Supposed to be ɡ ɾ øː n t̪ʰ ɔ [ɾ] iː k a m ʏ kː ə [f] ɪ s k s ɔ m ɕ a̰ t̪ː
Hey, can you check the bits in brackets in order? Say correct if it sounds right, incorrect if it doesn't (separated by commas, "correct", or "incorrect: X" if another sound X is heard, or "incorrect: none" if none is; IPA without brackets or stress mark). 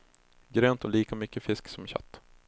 incorrect: l, correct